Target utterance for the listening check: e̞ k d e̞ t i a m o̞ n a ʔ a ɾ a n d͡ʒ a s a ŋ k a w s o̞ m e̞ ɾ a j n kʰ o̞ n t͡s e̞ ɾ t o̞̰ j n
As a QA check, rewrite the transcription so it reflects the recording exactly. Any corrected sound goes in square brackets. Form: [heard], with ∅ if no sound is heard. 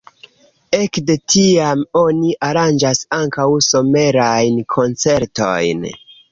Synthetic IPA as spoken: e̞ k d e̞ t i a m o̞ n [i] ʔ a ɾ a n d͡ʒ a s a ŋ k a w s o̞ m e̞ ɾ a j n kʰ o̞ n t͡s e̞ ɾ t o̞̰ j n

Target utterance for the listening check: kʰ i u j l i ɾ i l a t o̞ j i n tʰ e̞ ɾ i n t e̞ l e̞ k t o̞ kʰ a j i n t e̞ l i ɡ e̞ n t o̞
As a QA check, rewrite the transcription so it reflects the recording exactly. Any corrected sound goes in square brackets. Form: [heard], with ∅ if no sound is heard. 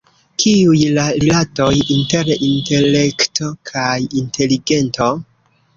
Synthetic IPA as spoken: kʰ i u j l [a] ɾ i l a t o̞ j i n [t] e̞ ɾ i n t e̞ l e̞ k t o̞ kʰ a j i n t e̞ l i ɡ e̞ n t o̞

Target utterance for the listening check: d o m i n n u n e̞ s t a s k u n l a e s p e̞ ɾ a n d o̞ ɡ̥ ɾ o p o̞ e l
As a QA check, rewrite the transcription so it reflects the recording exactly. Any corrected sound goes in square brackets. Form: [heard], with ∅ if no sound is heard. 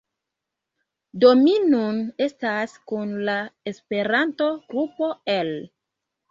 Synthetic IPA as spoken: d o m i n n u n e̞ s t a s k u n l a e s p e̞ ɾ a n [t] o̞ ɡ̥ ɾ [u] p o̞ e l

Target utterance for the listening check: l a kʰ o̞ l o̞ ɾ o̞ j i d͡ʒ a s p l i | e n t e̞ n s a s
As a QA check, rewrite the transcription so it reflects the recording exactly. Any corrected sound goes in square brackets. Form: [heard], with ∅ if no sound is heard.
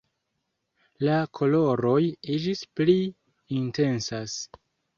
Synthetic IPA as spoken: l a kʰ o̞ l o̞ ɾ o̞ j i d͡ʒ [i] s p l i | [i] n t e̞ n s a s

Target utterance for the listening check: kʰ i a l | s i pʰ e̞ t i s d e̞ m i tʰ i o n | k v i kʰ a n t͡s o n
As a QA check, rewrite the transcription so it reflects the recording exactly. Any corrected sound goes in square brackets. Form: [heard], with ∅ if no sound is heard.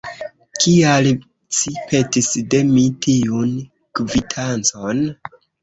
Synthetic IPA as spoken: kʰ i a l | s i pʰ e̞ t i s d e̞ m i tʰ i [u] n | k v i [tʰ] a n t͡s o n

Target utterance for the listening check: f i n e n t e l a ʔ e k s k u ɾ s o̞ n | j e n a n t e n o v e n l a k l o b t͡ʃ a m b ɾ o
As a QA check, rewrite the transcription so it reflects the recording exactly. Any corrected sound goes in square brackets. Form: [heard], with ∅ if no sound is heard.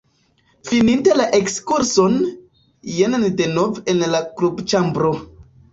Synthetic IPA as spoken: f i n [i] n t e l a ʔ e k s k u ɾ s o̞ n | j e n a n [d] e n o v e n l a k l [u] b t͡ʃ a m b ɾ o

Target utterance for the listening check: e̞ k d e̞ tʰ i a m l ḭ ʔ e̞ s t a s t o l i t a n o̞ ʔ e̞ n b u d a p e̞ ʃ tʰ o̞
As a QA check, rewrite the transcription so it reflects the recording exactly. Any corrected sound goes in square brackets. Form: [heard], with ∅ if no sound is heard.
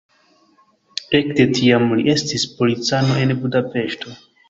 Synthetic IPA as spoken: e̞ k d e̞ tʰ i a m l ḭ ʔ e̞ s t [i] s [p] o l i [t͡s] a n o̞ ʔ e̞ n b u d a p e̞ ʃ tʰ o̞

